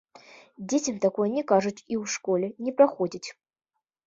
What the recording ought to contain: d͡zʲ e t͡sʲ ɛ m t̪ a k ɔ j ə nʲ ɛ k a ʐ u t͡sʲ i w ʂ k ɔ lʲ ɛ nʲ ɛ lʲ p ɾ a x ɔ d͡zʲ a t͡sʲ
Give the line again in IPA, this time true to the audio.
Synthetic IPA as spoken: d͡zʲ e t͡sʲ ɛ m t̪ a k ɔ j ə nʲ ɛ k a ʐ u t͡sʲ i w ʂ k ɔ lʲ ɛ nʲ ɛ p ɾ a x ɔ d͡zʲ i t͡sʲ